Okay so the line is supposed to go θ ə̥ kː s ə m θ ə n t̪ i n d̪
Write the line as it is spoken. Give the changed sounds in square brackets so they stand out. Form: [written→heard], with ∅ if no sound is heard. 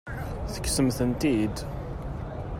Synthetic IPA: θ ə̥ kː s ə m θ ə n t̪ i [n→∅] d̪